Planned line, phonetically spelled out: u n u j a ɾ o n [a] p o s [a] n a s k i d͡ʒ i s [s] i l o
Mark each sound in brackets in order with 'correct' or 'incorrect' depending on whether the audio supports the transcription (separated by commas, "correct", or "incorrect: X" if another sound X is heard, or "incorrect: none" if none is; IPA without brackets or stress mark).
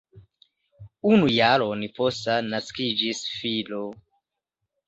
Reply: incorrect: i, correct, incorrect: f